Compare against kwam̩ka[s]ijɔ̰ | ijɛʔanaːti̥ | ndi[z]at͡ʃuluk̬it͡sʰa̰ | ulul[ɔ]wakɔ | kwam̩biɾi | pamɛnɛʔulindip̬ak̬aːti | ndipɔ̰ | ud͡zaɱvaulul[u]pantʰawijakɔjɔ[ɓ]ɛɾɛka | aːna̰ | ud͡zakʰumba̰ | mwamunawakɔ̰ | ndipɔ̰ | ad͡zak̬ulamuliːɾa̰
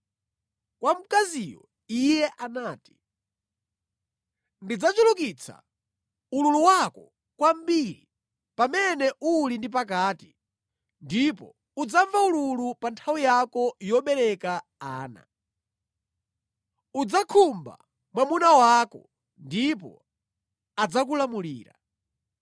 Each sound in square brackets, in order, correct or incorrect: incorrect: z, incorrect: d͡z, incorrect: u, correct, correct

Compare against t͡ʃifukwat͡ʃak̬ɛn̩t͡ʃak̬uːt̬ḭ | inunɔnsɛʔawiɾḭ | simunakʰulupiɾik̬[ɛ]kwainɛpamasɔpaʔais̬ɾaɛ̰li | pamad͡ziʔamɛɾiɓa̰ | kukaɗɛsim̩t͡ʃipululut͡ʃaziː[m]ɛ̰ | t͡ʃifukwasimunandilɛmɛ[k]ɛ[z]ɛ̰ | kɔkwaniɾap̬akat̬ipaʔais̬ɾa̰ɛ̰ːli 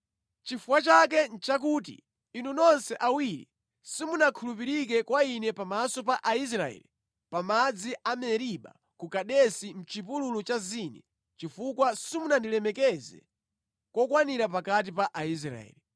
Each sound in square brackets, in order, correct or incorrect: correct, incorrect: n, correct, correct

